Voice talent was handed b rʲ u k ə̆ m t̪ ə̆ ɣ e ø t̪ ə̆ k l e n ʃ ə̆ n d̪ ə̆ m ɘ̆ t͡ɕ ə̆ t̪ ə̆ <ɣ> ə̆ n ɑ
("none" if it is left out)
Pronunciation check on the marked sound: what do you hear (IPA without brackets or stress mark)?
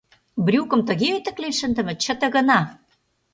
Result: ɣ